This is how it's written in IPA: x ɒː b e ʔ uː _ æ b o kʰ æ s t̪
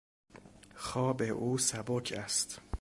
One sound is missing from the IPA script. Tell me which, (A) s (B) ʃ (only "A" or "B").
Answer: A